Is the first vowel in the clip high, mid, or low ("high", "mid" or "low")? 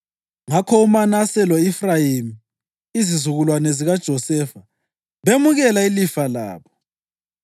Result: low